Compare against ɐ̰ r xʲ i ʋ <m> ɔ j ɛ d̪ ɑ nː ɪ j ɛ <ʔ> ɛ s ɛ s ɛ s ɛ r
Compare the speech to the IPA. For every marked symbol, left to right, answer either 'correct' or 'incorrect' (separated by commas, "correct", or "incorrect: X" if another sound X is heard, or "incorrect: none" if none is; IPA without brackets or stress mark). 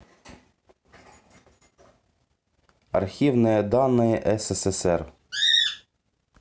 incorrect: n, correct